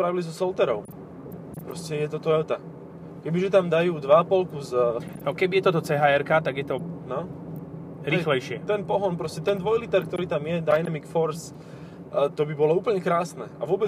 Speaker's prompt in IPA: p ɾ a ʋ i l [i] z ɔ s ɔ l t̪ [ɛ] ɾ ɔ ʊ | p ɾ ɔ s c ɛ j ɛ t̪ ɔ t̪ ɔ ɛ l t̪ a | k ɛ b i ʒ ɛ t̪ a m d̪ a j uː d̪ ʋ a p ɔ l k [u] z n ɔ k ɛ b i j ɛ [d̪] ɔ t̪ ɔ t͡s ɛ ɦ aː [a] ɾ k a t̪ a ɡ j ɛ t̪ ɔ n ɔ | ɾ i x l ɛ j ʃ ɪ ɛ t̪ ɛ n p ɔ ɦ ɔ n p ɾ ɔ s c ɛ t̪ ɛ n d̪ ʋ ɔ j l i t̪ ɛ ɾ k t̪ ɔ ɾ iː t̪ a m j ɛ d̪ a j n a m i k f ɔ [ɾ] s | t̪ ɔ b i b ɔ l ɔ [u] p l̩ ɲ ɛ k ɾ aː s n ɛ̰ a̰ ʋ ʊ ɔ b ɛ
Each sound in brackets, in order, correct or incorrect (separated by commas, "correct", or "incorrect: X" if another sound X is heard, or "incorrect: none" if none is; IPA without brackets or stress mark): correct, correct, correct, incorrect: t̪, incorrect: ɛ, correct, incorrect: uː